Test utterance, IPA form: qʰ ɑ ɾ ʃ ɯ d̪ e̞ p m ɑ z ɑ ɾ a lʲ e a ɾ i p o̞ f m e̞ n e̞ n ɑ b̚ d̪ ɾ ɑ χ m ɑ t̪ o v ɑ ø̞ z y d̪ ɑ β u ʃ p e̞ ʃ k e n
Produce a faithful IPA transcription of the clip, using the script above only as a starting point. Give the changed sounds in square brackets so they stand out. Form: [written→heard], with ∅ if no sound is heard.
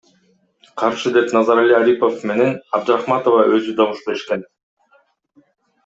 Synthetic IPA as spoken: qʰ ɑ ɾ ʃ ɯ d̪ e̞ p [m→n] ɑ z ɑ ɾ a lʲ [e→i] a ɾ i p o̞ f m e̞ n e̞ n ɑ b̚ d̪ ɾ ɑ χ m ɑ t̪ o v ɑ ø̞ z y d̪ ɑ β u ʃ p e̞ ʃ k e n